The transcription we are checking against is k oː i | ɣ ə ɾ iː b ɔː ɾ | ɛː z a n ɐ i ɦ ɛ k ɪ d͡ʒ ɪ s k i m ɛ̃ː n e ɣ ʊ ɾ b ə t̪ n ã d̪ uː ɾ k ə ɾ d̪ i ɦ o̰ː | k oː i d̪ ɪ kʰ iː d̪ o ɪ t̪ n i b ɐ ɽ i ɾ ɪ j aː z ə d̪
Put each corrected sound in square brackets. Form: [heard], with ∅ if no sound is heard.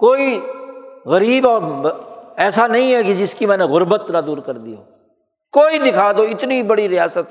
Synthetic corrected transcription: k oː i | ɣ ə ɾ iː b ɔː ɾ | ɛː [s] a n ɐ [ĩ] ɦ ɛ k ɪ d͡ʒ ɪ s k i m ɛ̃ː n e ɣ ʊ ɾ b ə t̪ n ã d̪ uː ɾ k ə ɾ d̪ i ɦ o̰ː | k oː i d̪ ɪ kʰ [aː] d̪ o ɪ t̪ n i b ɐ ɽ i ɾ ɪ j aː [s] ə [t̪]